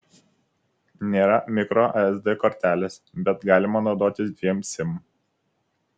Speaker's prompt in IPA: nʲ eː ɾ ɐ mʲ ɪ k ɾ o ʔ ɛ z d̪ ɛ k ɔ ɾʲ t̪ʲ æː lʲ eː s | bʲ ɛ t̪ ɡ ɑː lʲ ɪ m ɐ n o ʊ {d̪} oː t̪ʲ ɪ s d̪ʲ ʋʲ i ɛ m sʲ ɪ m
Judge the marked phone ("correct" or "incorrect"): correct